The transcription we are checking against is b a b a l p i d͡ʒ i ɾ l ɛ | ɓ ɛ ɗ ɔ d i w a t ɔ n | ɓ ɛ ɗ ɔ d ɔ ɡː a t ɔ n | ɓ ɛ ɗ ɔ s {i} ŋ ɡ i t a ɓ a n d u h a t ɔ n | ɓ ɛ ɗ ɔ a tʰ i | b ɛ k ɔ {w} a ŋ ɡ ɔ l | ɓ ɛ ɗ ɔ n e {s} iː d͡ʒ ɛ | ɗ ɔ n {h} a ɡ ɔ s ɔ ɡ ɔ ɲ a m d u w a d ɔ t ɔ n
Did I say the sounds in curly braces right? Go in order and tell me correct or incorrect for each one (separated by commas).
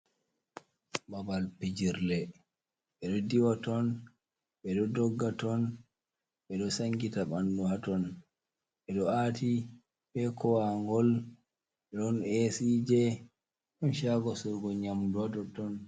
incorrect, correct, correct, incorrect